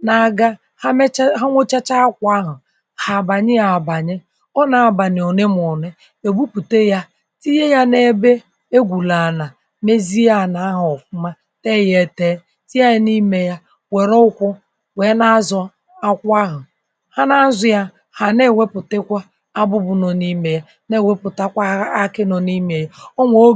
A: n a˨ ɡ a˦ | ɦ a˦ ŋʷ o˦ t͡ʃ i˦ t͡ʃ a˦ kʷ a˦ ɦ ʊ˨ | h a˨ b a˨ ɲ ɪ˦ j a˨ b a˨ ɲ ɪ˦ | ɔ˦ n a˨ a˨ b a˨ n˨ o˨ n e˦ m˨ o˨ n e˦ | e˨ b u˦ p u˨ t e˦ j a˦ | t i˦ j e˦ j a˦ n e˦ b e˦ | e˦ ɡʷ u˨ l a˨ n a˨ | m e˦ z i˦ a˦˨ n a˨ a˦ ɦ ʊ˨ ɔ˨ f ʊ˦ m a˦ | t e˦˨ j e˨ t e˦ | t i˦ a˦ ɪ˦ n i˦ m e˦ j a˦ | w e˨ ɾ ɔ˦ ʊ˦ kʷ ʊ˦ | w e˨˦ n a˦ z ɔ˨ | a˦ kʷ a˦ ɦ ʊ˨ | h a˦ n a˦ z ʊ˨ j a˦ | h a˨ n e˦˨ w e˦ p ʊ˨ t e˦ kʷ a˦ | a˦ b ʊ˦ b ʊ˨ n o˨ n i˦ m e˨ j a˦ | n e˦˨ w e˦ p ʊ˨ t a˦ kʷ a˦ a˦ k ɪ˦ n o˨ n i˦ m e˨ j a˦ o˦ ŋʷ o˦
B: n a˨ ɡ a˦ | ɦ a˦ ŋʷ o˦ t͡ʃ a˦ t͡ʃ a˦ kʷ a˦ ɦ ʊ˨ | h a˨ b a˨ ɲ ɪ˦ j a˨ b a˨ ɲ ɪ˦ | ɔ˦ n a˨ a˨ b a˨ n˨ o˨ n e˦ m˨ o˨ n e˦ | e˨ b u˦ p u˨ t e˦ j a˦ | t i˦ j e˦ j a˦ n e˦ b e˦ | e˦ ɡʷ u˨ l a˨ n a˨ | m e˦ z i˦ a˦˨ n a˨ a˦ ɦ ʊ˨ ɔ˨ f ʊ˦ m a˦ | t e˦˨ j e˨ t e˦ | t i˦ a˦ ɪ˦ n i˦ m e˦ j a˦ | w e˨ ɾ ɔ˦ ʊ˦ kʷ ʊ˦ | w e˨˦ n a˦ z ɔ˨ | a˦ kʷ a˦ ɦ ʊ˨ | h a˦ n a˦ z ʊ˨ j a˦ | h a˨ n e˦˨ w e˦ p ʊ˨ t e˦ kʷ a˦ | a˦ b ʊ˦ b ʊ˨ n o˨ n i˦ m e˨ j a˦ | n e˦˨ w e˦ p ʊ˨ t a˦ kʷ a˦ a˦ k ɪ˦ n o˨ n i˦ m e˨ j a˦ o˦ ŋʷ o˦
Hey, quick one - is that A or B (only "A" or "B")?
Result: B